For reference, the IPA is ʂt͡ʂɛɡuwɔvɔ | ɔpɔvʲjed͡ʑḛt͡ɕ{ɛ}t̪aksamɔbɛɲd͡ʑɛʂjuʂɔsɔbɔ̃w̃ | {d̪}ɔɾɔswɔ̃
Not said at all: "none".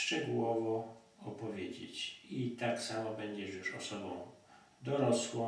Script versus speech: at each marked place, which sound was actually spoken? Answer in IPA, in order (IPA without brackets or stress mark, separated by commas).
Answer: i, d̪